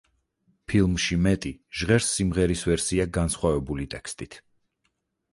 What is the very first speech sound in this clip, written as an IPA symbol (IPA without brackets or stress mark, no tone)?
pʰ